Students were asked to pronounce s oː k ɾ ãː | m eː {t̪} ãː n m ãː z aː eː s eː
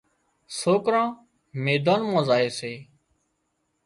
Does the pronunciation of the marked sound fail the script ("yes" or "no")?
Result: yes